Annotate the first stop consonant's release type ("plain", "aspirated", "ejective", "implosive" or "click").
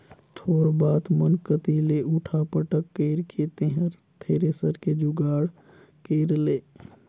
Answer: aspirated